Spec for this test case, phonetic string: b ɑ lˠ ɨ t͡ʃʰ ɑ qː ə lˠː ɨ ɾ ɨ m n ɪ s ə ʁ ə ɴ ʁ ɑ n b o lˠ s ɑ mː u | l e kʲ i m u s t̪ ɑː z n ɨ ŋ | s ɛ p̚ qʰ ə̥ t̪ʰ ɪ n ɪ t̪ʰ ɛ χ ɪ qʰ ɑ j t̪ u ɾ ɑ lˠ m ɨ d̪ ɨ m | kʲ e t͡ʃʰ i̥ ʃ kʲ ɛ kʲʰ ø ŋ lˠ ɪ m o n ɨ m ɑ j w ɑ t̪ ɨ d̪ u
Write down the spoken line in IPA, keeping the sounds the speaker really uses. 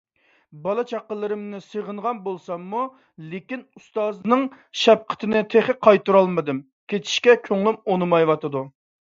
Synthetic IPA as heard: b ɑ lˠ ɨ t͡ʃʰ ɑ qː ə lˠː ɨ ɾ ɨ m n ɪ s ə ʁ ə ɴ ʁ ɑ n b o lˠ s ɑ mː u | l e kʲ i n u s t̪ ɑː z n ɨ ŋ | ʃ ɛ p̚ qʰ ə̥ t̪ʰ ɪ n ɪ t̪ʰ e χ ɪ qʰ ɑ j t̪ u ɾ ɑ lˠ m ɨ d̪ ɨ m | kʲ e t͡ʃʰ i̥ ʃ kʲ ɛ kʲʰ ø ŋ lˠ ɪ m o n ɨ m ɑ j w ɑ t̪ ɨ d̪ u